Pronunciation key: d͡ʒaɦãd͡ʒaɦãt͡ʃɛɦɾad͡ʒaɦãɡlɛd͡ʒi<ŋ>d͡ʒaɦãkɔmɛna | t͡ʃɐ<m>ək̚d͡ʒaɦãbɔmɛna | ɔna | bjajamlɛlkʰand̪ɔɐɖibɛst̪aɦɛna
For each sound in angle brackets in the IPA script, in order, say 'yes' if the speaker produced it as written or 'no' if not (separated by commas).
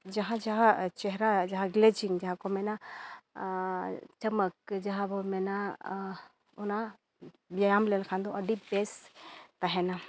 yes, yes